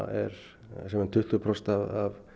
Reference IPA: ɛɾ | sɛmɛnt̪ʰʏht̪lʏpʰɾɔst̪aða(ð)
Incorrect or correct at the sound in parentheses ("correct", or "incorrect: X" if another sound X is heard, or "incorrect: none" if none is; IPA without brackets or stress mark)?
incorrect: v